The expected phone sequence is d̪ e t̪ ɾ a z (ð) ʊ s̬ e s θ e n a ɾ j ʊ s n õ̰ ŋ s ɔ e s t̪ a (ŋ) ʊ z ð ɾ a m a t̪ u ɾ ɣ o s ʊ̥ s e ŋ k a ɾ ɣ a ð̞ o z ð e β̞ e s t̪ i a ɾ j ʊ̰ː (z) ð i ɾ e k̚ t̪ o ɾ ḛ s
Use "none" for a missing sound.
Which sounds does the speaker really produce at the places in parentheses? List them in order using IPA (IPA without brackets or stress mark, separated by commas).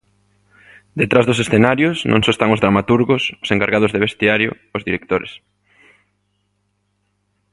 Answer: ð, ŋ, z